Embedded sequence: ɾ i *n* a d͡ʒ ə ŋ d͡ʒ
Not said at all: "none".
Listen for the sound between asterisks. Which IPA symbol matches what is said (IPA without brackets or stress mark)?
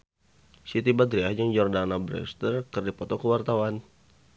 none